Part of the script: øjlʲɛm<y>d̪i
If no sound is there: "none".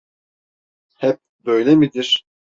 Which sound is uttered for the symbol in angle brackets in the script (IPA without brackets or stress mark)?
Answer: i